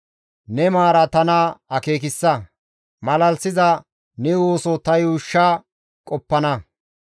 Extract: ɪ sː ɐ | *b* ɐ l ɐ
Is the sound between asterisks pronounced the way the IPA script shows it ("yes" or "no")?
no